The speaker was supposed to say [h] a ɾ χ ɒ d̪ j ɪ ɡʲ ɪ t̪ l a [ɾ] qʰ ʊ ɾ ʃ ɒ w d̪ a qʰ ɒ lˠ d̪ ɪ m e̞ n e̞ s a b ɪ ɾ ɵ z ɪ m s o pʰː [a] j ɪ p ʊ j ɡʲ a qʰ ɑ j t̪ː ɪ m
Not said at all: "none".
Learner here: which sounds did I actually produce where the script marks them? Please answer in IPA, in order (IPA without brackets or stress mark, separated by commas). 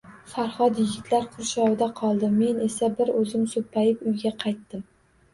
f, ɾ, a